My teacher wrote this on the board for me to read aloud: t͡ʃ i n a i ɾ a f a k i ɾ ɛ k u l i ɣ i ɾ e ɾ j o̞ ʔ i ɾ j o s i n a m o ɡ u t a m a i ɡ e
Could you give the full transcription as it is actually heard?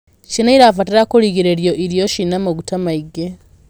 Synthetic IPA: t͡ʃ i n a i ɾ a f a t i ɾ a k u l i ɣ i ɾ e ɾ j o̞ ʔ i ɾ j o ʃ i n a m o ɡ u t a m a i ɡ e